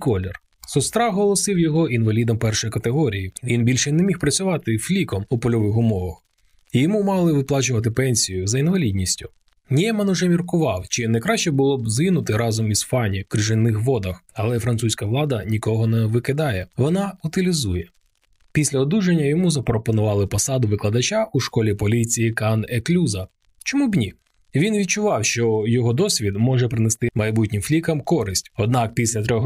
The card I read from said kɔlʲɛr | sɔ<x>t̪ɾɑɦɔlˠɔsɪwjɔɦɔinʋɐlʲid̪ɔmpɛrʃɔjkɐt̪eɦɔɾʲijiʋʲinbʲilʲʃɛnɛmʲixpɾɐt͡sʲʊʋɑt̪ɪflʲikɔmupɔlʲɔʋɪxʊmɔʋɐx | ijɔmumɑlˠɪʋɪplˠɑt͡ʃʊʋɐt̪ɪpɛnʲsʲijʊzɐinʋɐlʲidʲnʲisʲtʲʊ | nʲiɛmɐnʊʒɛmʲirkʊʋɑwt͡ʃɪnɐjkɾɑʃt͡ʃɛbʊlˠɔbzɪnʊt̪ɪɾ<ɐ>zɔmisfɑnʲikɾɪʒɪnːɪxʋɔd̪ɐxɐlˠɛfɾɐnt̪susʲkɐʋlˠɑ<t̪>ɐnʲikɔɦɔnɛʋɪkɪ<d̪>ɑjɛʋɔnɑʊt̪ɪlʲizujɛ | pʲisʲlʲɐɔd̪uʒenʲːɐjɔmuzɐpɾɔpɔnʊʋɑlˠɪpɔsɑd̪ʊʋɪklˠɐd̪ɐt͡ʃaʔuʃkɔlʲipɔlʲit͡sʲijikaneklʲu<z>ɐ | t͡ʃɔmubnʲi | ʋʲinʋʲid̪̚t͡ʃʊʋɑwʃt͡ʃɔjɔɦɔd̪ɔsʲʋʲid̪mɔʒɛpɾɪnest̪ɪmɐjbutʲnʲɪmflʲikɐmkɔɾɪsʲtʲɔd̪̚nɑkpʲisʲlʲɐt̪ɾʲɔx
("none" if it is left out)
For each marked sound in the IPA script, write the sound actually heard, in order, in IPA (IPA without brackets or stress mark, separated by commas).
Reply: s, ɑ, d̪, d̪, z